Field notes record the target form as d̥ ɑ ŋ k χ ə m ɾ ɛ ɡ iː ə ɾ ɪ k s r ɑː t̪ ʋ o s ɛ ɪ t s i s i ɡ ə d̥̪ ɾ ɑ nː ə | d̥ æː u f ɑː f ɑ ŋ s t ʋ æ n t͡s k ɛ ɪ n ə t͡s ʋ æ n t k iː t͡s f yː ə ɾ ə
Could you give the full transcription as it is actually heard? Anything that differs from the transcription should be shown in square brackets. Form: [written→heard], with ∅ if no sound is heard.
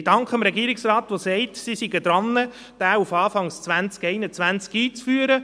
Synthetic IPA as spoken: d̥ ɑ ŋ k χ ə m ɾ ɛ ɡ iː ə ɾ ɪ k s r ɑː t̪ ʋ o s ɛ ɪ t s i s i ɡ ə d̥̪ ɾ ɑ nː ə | d̥ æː u f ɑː f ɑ ŋ s [t→t͡s] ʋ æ n t͡s k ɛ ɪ n ə t͡s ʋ æ n [t→t͡s] k iː t͡s f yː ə ɾ ə